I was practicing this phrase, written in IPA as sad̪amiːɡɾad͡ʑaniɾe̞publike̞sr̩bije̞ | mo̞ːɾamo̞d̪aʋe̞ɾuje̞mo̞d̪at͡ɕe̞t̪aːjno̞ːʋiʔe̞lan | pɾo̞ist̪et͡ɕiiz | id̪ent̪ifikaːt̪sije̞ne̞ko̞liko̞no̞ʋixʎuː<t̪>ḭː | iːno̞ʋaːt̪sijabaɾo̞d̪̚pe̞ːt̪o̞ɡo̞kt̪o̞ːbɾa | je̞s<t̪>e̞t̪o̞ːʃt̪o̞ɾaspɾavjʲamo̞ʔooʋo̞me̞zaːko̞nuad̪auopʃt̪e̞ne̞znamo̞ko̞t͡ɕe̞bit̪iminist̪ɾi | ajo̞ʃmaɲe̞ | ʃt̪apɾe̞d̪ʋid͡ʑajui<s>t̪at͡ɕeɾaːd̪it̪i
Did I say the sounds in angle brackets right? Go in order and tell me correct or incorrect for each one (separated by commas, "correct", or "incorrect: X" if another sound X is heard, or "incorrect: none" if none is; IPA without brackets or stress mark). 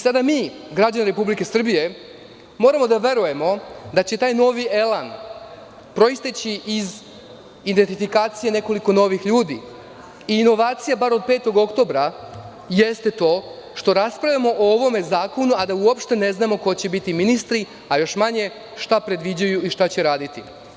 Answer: incorrect: d̪, correct, incorrect: ʃ